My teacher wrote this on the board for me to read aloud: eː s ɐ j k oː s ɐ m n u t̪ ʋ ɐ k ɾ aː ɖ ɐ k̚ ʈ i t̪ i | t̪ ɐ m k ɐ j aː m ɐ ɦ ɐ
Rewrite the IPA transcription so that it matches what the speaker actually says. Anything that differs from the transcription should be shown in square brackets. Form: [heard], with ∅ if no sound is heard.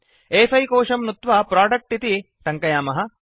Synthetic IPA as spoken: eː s ɐ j k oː [ʂ] ɐ m n u t̪ ʋ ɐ [p] ɾ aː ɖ ɐ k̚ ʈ i t̪ i | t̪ ɐ [ŋ] k ɐ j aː m ɐ ɦ ɐ